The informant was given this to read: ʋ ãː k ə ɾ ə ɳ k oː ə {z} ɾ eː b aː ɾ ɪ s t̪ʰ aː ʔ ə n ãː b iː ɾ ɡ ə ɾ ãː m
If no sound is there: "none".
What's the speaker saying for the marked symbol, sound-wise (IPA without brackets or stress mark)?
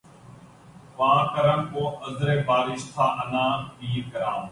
z